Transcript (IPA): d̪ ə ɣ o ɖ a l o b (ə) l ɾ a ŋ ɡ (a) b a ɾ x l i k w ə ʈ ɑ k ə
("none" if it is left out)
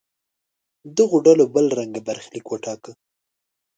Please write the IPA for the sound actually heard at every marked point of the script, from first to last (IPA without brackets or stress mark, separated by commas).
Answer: ə, a